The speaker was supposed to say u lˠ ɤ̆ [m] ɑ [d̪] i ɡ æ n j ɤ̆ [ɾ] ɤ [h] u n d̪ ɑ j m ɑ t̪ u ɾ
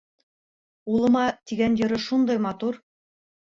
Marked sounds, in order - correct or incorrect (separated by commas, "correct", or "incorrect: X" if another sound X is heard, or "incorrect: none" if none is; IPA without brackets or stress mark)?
correct, incorrect: t̪, correct, incorrect: ʃ